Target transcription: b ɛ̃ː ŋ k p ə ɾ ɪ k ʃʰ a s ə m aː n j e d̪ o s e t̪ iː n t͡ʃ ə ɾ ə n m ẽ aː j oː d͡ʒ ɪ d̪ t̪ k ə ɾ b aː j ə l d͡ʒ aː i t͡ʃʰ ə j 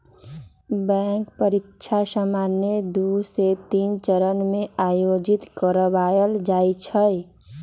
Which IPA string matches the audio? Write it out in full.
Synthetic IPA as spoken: b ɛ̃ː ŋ k p ə ɾ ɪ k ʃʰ a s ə m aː n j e d̪ u s e t̪ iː n t͡ʃ ə ɾ ə n m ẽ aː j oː d͡ʒ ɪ t̪ k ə ɾ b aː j ə l d͡ʒ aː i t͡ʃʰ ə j